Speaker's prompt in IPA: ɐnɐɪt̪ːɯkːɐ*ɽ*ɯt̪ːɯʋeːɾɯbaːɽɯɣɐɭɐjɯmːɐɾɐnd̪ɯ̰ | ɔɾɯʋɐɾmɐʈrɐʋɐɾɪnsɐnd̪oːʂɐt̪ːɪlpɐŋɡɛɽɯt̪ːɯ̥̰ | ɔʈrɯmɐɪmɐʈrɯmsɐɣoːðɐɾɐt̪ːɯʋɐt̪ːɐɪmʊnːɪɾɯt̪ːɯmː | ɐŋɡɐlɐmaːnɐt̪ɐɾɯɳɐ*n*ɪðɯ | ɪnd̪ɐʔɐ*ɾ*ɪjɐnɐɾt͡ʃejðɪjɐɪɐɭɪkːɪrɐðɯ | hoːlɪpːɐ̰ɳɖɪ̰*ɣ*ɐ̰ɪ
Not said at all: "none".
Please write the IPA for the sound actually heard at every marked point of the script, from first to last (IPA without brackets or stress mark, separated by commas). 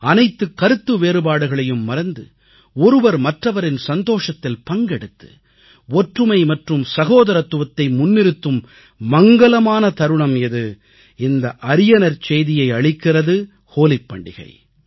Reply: ɾ, m, ɾ, ɣ